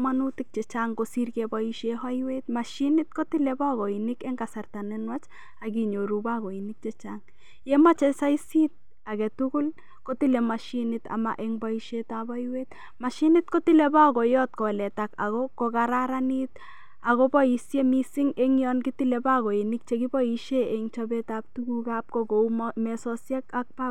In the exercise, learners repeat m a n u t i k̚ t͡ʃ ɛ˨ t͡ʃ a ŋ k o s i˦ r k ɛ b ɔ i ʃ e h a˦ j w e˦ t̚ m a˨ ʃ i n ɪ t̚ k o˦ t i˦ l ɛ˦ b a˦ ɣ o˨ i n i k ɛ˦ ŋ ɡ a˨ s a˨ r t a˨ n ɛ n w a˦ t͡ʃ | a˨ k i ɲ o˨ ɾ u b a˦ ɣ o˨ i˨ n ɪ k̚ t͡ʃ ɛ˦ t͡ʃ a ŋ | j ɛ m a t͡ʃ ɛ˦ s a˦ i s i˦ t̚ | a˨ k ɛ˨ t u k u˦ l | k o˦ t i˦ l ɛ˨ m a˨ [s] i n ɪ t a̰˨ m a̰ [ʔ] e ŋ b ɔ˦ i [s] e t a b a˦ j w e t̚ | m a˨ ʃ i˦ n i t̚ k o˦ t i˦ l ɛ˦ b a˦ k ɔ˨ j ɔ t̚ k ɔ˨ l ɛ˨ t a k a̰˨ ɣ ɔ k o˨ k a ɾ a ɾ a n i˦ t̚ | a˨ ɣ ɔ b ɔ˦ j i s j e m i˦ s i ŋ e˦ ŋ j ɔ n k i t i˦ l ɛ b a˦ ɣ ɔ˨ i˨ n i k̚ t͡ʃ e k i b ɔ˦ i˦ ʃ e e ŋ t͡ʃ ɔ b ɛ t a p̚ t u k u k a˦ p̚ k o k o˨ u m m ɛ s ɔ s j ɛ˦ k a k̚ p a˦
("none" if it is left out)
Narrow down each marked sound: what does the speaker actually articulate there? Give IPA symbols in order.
ʃ, ʔ, ʃ

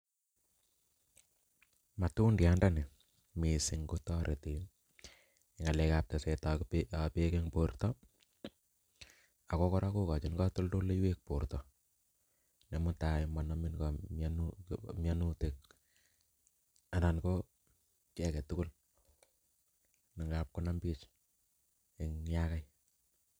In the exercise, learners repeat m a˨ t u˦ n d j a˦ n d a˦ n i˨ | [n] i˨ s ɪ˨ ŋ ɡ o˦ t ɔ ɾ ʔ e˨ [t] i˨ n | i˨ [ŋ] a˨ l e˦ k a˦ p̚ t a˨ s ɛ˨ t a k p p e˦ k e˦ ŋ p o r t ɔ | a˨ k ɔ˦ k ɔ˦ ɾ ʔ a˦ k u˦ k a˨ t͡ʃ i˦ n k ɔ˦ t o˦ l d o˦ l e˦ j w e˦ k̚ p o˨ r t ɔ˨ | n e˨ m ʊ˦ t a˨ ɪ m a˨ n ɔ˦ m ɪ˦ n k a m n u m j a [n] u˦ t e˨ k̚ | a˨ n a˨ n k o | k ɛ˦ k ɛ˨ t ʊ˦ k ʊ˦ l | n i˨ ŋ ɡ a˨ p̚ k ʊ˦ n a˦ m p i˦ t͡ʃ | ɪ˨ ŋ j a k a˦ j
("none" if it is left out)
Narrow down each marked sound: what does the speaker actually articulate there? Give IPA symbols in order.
m, t, ŋ, n

